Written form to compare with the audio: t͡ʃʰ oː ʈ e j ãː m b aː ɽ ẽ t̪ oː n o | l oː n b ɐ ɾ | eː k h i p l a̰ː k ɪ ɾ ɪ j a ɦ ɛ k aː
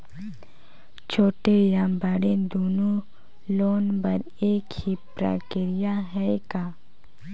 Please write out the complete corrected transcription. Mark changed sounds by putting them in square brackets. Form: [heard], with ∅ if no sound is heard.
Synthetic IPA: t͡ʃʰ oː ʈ e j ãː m b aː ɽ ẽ [d̪] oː n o | l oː n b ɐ ɾ | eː k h i p [ɾ] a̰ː k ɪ ɾ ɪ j a ɦ ɛ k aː